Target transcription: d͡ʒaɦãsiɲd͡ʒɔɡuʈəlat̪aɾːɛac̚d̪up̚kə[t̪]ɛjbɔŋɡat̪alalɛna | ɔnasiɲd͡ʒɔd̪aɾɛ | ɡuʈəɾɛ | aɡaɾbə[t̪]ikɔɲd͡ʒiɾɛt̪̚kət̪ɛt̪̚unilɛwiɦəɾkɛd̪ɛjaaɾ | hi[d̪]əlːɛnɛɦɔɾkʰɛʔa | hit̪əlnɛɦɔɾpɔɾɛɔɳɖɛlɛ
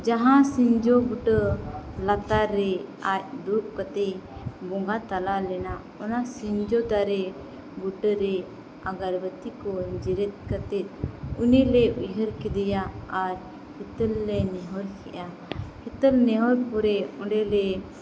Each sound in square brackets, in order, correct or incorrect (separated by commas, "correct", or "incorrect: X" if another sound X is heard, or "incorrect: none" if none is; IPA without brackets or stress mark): correct, correct, incorrect: t̪